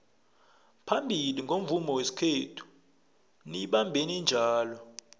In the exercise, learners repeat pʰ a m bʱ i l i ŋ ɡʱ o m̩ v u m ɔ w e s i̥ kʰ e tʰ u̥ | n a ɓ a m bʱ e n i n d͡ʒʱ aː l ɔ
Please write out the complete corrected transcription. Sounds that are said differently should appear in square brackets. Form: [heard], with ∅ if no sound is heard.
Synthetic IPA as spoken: pʰ a m bʱ i l i ŋ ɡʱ o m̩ v u m ɔ w e s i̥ kʰ e tʰ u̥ | n [i] ɓ a m bʱ e n i n d͡ʒʱ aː l ɔ

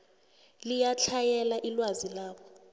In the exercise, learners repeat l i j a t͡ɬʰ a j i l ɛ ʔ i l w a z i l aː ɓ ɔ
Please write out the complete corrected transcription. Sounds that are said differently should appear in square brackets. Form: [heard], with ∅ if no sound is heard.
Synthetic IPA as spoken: l i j a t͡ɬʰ a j [ɛ] l [a] ʔ i l w a z i l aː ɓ ɔ

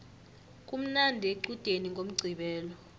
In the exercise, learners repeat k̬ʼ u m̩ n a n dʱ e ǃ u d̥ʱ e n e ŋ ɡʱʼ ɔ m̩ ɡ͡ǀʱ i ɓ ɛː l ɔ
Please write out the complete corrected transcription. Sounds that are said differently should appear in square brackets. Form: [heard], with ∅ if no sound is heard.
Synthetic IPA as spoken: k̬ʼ u m̩ n a n dʱ e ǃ u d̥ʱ e n [i] ŋ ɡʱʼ [o] m̩ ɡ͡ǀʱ i ɓ ɛː l ɔ

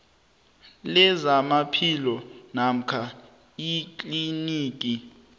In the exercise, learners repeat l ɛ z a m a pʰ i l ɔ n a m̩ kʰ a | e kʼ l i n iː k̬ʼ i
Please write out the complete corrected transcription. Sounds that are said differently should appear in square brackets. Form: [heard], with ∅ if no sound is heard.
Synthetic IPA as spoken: l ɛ z a m a pʰ i l ɔ n a m̩ kʰ a | [i] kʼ l i n iː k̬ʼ i

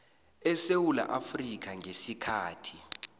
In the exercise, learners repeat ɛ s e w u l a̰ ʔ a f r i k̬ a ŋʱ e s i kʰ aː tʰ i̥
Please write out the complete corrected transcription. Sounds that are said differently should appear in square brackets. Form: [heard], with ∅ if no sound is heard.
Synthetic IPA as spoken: ɛ s e w u l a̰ ʔ a f r i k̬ a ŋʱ e s i kʰ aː tʰ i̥

